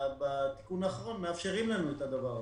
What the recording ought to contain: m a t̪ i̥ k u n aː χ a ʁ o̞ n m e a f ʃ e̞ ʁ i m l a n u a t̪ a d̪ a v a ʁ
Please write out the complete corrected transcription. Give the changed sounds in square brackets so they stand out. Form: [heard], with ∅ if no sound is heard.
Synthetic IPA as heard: [b] a t̪ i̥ k u n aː χ a ʁ o̞ n m e a f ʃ e̞ ʁ i m l a n u [e] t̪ a d̪ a v a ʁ